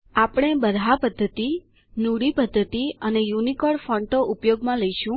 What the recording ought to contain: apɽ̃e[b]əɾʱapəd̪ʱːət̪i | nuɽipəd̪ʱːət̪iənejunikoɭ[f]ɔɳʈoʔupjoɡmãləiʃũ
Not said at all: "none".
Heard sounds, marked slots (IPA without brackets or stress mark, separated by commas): b, f